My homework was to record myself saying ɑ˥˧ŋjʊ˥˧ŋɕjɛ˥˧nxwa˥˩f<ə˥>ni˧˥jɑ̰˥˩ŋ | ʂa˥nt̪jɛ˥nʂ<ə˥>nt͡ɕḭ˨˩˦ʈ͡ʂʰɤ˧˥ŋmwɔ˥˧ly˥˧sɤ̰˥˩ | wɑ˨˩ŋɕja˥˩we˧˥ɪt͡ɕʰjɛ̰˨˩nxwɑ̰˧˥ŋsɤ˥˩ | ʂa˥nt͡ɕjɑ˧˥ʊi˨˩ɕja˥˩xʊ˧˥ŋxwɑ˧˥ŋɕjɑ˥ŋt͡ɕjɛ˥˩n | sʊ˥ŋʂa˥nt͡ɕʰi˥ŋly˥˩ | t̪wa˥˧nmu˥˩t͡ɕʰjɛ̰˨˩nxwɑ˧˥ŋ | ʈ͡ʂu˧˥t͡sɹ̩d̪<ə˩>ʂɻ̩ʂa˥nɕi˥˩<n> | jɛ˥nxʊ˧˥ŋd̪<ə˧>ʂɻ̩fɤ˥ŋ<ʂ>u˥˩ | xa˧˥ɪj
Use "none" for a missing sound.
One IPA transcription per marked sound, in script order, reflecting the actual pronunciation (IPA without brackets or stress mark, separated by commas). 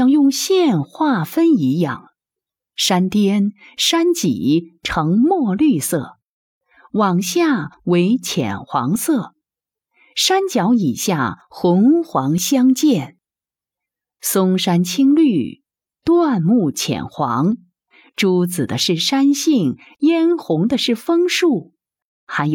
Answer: ə˥, a˥, ə˦, ŋ, ə˧, ʂ